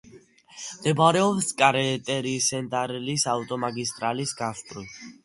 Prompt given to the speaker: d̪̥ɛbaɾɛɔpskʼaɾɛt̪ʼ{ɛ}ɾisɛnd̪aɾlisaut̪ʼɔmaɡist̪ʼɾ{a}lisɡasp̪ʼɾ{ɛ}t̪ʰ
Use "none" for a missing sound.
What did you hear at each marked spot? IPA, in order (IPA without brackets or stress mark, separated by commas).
ɛ, a, i